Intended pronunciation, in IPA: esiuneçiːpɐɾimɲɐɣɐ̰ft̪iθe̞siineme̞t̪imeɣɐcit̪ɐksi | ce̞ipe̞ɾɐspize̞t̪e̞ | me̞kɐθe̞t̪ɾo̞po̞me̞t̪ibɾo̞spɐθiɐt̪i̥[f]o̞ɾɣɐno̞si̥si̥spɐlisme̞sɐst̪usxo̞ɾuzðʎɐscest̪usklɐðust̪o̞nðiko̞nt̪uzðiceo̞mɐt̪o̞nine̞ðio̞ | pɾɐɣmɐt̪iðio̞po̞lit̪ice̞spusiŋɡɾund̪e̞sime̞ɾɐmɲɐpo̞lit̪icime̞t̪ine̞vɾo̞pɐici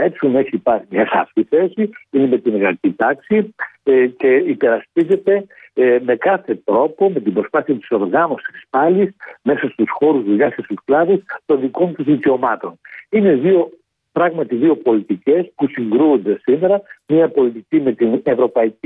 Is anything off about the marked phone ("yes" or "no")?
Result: yes